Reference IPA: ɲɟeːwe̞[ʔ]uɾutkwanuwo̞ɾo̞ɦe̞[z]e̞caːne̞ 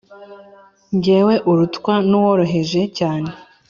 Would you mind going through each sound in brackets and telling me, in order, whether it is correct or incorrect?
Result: correct, incorrect: ʒ

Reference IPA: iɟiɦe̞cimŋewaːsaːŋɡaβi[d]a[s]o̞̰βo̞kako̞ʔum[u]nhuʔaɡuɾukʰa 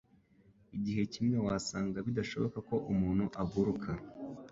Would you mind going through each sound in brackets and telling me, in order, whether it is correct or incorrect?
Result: correct, incorrect: ʃ, incorrect: uː

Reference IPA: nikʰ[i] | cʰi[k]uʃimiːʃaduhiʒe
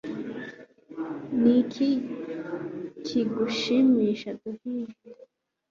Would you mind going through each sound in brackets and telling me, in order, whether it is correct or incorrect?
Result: correct, incorrect: ɡ

